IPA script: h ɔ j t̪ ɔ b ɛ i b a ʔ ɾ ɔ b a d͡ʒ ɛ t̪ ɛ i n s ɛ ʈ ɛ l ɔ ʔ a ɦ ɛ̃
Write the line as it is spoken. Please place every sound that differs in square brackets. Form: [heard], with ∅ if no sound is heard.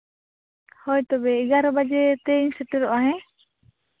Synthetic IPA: h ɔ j t̪ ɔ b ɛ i [ɡ] a [∅] ɾ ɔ b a d͡ʒ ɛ t̪ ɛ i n s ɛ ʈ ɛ [ɾ] ɔ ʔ a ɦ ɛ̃